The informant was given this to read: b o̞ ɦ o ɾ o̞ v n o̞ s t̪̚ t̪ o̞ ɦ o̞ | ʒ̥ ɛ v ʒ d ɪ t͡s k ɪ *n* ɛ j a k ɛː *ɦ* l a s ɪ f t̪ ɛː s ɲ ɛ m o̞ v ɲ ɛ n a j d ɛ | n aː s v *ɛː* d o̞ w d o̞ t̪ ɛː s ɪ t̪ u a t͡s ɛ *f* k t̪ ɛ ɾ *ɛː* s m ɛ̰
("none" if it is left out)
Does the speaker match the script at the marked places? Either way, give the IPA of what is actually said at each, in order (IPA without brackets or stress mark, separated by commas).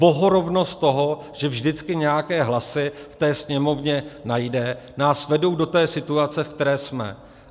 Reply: ɲ, ɦ, ɛ, f, ɛː